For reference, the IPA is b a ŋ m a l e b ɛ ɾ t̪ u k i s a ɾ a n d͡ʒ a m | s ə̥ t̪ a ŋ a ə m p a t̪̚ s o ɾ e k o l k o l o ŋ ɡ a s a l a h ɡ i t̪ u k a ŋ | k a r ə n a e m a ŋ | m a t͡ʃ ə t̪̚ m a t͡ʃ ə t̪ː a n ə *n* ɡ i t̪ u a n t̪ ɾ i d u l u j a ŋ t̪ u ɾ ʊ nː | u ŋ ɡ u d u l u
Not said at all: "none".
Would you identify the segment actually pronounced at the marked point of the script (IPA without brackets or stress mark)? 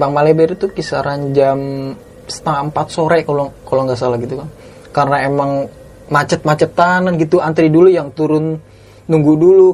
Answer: n